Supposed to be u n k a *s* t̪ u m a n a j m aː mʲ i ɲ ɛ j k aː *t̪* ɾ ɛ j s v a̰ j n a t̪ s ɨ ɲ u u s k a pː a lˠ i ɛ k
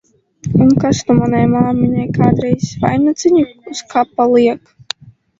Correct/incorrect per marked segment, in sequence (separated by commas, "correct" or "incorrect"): correct, incorrect